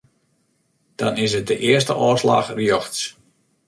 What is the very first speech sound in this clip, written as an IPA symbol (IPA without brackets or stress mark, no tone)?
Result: d̥